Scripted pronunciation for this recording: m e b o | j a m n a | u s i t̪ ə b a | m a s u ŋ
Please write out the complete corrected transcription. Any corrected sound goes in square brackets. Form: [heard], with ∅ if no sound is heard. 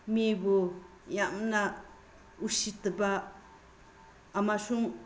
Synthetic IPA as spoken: m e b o | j a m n a | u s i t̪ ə b a | m a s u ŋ